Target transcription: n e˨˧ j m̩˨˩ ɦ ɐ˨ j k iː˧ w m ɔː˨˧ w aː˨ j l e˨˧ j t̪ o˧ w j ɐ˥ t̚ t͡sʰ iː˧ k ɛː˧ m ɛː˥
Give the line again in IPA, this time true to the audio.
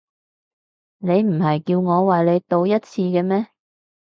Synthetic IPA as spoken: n e˨˧ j m̩˨˩ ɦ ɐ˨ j k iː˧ w ŋ ɔː˨˧ w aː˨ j l e˨˧ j t̪ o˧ w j ɐ˥ t̚ t͡sʰ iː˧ k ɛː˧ m ɛː˥